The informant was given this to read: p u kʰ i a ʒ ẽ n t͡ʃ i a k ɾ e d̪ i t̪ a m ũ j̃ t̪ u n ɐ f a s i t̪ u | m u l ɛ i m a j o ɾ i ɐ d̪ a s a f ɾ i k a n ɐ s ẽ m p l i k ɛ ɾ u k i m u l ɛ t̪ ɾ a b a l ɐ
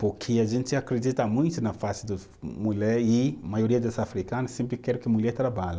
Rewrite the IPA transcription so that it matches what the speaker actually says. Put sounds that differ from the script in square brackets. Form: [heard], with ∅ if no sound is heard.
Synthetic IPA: p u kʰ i a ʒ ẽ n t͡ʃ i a k ɾ e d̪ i t̪ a m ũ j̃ t̪ u n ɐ f a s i [d̪] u | m u l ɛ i m a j o ɾ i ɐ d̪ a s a f ɾ i k a n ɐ s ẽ m p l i k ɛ ɾ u k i m u l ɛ t̪ ɾ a b a l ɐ